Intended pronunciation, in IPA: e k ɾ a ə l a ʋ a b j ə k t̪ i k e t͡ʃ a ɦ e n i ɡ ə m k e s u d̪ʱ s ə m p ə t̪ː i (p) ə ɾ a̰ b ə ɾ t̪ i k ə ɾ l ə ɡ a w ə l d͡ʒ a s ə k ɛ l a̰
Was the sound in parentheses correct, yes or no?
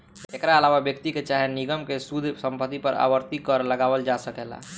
yes